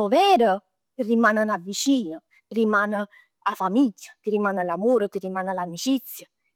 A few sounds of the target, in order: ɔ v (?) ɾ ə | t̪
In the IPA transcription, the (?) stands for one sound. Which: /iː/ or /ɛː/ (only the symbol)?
ɛː